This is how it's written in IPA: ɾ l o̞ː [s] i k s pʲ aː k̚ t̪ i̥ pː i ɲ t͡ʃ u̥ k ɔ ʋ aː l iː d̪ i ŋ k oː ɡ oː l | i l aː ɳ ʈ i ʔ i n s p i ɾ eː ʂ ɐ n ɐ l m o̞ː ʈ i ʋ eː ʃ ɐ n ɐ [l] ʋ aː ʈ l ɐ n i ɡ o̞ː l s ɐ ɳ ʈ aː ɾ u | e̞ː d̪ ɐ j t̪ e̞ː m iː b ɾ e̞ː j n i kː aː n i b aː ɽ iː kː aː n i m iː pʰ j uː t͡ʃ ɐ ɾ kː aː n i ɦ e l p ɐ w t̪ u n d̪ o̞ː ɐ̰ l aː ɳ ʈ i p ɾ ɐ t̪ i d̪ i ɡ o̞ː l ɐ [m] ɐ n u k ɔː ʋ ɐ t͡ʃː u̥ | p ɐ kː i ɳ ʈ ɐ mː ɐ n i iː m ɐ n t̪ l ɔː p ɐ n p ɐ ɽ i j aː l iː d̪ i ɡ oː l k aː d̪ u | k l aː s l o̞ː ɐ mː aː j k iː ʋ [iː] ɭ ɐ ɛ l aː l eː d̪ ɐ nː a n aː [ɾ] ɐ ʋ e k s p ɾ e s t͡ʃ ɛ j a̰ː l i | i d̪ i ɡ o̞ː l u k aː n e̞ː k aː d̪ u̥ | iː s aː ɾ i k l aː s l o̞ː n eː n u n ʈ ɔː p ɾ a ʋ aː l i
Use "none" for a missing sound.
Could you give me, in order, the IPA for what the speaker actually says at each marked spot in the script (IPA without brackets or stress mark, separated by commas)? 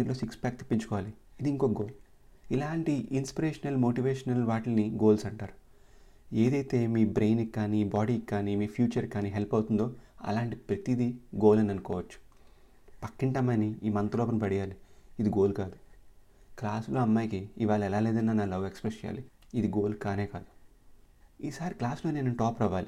s, l, n, aː, l